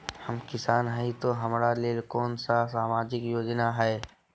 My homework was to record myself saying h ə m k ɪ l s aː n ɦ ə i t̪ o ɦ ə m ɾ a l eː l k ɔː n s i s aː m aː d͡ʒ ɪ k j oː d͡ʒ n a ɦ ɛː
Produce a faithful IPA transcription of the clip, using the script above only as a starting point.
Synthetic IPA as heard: h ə m k ɪ s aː n ɦ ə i t̪ o ɦ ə m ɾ a l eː l k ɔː n s a s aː m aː d͡ʒ ɪ k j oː d͡ʒ n a ɦ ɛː